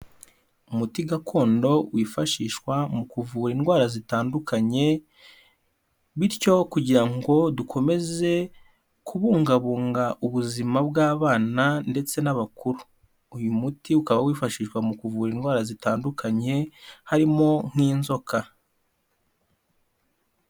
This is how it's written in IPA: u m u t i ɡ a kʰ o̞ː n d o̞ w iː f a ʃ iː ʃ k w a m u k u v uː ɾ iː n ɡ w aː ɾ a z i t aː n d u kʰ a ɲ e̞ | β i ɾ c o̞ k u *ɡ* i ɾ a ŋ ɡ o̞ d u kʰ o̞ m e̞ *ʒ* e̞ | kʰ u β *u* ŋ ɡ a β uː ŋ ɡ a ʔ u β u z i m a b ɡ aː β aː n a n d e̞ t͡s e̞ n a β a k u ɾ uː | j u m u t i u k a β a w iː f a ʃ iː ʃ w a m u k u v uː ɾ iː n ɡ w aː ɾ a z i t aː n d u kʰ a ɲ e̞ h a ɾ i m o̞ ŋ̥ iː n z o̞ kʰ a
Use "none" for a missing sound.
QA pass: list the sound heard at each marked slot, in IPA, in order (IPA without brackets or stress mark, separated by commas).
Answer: ɟ, z, uː